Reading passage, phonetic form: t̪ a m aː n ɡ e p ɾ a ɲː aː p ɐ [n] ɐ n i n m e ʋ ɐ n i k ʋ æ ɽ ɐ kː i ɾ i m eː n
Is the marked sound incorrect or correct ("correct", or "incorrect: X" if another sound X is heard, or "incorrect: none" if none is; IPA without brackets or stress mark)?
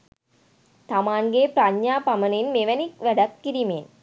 incorrect: m